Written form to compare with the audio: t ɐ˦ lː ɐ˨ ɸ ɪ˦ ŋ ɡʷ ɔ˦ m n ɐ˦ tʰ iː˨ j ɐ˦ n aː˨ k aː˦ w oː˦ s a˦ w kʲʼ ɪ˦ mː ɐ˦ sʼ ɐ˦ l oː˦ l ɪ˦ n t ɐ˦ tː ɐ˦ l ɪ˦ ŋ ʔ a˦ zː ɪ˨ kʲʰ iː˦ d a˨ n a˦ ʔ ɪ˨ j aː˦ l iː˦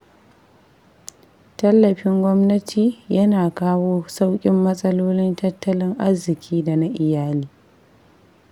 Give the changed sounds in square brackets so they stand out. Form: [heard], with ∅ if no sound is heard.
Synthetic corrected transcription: t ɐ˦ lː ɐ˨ ɸ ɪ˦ ŋ ɡʷ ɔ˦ m n ɐ˦ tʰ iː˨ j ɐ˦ n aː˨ k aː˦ w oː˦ s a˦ w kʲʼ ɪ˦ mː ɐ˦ sʼ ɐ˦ l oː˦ l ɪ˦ n t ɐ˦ tː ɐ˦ l ɪ˦ ŋ ʔ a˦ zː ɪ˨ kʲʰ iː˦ d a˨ n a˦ ʔ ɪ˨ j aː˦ l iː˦

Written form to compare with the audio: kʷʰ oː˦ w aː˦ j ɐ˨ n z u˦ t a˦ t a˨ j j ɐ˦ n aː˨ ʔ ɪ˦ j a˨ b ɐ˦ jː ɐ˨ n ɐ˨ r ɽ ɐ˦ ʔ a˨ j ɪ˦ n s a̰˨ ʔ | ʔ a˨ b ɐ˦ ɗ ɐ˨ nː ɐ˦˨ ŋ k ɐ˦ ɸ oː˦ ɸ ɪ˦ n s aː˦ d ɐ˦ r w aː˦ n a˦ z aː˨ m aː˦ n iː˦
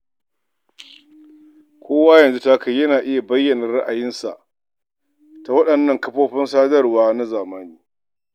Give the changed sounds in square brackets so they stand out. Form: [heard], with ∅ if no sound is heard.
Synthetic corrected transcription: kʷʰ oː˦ w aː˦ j ɐ˨ n z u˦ t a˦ [k] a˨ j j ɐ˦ n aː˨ ʔ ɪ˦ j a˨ b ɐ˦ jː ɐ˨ n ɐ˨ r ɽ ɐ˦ ʔ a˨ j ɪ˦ n s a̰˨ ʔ | [t] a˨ [w] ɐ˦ ɗ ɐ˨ nː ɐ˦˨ ŋ k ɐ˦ ɸ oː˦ ɸ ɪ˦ n s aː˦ d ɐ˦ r w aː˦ n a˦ z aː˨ m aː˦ n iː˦

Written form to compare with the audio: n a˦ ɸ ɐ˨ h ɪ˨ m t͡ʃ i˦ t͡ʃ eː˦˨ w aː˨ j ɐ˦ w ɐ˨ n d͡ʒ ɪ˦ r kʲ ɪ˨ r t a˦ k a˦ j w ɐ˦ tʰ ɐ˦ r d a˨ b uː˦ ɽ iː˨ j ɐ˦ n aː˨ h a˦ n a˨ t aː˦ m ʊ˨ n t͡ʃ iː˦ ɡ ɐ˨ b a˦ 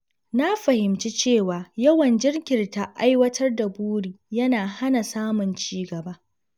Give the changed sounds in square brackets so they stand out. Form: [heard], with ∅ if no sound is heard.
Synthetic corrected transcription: n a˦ ɸ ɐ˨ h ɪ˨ m t͡ʃ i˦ t͡ʃ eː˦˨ w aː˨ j ɐ˦ w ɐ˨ n d͡ʒ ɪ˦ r kʲ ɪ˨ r t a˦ [ʔ] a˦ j w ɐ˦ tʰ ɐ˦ r d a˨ b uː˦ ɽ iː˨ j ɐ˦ n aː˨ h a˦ n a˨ [s] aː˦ m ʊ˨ n t͡ʃ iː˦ ɡ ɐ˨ b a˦

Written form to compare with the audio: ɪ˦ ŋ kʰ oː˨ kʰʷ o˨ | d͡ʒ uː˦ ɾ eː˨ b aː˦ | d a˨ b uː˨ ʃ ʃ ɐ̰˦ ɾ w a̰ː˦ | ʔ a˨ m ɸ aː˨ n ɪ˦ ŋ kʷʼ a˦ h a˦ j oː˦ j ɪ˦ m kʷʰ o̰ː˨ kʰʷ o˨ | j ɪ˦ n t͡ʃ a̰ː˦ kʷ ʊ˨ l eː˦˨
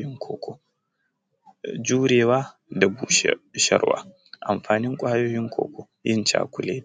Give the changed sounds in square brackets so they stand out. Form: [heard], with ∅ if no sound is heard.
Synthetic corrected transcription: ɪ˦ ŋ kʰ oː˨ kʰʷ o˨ | d͡ʒ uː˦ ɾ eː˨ [w] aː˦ | d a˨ b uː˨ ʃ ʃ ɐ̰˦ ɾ w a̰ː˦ | ʔ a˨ m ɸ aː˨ n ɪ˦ ŋ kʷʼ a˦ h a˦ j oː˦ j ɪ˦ [ŋ] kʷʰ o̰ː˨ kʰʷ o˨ | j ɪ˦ n t͡ʃ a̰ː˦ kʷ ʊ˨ l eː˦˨

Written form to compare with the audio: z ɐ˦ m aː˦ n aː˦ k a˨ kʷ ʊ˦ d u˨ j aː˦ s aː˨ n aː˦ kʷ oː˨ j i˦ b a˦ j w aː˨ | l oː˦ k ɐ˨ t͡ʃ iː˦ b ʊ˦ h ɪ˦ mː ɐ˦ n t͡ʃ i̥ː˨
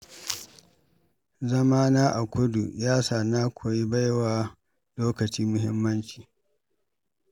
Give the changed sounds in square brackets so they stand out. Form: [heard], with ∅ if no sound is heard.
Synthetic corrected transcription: z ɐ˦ m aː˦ n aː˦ [ʔ] a˨ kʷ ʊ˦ d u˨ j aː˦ s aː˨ n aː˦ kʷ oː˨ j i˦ b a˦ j w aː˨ | l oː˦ k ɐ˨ t͡ʃ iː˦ [m] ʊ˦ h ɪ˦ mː ɐ˦ n t͡ʃ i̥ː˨

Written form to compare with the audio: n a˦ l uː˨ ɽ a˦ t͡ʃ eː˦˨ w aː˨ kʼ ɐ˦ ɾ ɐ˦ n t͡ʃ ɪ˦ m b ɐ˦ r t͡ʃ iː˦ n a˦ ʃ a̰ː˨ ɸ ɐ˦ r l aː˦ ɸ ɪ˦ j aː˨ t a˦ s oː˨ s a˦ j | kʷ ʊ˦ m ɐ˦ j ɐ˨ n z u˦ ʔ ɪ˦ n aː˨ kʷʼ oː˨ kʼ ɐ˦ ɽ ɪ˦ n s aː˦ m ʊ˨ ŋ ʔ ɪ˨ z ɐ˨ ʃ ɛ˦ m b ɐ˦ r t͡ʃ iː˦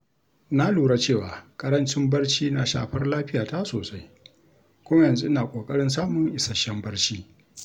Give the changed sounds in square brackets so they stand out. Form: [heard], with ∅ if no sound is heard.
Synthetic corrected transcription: n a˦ l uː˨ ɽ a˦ t͡ʃ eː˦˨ w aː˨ kʼ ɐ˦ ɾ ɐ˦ n t͡ʃ ɪ˦ m b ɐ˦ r t͡ʃ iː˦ n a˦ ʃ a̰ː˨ ɸ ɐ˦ r l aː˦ ɸ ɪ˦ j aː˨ t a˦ s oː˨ s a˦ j | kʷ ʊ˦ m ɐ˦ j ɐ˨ n z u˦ ʔ ɪ˦ n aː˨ kʷʼ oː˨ kʼ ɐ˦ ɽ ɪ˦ n s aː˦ m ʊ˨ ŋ ʔ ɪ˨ [s] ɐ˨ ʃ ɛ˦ m b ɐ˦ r t͡ʃ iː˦

